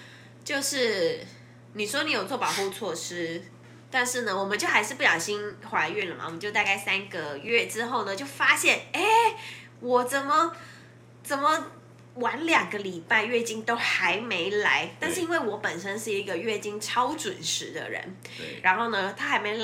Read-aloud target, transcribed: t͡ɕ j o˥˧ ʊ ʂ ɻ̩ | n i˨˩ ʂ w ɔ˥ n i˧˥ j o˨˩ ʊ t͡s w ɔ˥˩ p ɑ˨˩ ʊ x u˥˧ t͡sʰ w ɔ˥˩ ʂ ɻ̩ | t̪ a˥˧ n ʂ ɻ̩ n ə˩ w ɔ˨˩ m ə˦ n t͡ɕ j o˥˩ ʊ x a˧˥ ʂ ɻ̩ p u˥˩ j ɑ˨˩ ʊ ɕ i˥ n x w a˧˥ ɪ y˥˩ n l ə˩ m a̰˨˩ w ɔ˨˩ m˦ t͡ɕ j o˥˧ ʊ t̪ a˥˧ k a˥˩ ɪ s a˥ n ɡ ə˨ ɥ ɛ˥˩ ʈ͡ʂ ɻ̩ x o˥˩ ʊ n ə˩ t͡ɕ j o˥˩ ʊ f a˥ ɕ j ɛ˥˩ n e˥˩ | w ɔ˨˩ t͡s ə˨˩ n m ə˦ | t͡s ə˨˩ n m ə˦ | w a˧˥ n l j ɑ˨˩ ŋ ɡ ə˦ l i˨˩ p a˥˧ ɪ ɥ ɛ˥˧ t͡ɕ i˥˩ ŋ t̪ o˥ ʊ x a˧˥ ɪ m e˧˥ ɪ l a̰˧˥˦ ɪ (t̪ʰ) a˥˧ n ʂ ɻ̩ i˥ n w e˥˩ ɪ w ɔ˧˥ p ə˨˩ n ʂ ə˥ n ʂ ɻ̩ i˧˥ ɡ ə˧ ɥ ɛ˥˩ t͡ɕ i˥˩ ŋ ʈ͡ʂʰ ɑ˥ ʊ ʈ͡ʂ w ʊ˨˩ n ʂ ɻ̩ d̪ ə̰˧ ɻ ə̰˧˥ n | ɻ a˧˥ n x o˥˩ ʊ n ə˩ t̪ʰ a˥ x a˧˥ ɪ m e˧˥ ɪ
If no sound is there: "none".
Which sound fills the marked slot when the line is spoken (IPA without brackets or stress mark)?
t̪